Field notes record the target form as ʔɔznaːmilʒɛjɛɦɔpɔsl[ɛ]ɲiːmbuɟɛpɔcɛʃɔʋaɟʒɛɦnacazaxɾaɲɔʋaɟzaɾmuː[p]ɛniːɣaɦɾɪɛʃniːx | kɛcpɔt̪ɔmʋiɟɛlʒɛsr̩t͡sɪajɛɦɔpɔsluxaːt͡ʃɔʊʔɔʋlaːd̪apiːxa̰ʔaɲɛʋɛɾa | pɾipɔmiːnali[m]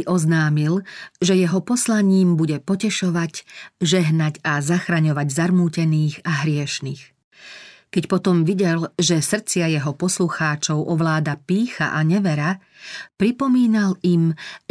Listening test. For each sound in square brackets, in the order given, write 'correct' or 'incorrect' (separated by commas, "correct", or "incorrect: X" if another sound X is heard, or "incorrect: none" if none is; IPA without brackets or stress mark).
incorrect: a, incorrect: c, correct